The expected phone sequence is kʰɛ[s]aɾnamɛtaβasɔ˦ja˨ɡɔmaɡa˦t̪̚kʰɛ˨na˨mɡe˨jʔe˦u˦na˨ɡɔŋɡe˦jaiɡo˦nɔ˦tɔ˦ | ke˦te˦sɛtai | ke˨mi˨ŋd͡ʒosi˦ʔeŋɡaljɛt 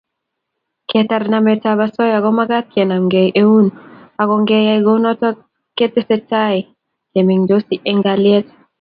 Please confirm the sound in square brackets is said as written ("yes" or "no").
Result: no